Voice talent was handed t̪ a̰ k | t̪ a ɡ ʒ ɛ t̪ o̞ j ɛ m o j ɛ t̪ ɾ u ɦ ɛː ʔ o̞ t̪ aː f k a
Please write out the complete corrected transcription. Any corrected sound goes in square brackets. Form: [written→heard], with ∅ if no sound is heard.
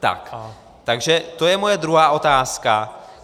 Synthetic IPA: t̪ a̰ k | t̪ a ɡ ʒ ɛ t̪ o̞ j ɛ m o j ɛ [t̪→d̪] ɾ u ɦ [ɛː→aː] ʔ o̞ t̪ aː [f→s] k a